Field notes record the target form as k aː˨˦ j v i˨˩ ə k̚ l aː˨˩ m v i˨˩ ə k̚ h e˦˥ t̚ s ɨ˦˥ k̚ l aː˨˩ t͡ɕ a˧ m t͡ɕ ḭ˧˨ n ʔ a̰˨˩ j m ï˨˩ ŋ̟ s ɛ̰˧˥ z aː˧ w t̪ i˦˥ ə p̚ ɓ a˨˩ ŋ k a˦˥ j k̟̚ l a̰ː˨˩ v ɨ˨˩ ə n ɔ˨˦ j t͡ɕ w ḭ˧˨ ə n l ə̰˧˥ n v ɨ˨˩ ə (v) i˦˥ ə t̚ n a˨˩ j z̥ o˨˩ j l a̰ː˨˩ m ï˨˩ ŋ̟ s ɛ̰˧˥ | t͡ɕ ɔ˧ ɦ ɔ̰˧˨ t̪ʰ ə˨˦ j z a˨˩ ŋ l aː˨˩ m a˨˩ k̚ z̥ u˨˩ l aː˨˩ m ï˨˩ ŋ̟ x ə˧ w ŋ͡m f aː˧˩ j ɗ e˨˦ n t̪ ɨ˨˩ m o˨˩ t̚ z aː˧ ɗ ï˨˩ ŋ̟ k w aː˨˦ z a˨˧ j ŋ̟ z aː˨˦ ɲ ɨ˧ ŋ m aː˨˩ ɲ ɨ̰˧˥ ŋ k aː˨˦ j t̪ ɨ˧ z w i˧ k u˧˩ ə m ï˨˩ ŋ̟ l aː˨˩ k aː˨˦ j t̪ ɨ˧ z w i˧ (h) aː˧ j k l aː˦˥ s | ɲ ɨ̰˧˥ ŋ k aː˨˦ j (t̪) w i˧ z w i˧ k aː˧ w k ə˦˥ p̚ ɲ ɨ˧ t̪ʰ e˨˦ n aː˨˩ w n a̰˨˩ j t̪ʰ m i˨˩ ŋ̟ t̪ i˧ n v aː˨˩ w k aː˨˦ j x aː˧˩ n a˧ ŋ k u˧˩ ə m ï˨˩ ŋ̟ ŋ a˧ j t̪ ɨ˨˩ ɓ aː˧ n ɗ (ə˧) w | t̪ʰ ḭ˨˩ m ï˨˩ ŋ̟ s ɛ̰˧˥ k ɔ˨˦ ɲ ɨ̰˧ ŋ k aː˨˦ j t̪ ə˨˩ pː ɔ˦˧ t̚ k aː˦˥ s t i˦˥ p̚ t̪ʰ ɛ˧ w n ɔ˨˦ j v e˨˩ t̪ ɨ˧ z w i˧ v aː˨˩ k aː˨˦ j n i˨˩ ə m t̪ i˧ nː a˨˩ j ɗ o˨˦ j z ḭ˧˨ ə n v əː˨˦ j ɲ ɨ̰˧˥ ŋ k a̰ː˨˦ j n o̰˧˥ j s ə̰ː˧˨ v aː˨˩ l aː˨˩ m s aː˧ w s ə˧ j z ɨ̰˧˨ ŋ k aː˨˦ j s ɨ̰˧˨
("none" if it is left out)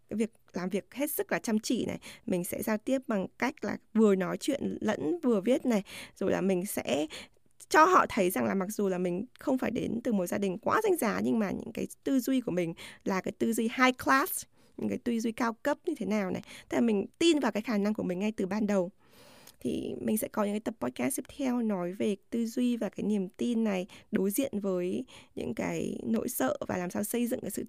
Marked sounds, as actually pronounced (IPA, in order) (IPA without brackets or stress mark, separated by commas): v, h, t̪, ə˨˩